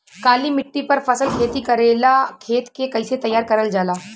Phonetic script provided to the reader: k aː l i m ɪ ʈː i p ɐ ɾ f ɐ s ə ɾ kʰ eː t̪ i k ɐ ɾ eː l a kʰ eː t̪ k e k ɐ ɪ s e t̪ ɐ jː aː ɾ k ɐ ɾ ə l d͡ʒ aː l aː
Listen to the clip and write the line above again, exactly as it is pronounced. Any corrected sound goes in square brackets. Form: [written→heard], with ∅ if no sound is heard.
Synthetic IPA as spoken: k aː l i m ɪ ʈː i p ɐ ɾ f ɐ s ə [ɾ→l] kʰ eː t̪ i k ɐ ɾ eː l a kʰ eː t̪ k e k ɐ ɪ s e t̪ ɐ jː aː ɾ k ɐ ɾ ə l d͡ʒ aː l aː